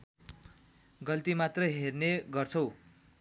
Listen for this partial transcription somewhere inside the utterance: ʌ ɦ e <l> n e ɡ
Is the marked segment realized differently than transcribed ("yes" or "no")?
yes